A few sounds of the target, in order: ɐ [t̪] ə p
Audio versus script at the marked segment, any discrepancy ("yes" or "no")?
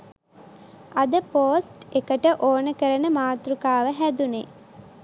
yes